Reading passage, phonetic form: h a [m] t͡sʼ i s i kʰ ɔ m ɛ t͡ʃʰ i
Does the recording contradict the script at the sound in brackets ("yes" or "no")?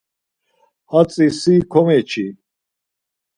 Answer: yes